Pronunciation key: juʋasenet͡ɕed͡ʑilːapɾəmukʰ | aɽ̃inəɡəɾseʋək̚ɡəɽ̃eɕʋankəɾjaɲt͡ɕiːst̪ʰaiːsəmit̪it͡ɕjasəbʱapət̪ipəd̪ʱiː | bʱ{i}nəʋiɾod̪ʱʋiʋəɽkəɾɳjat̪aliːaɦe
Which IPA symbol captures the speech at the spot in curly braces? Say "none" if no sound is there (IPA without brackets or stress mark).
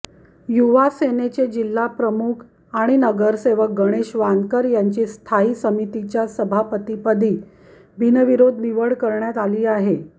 i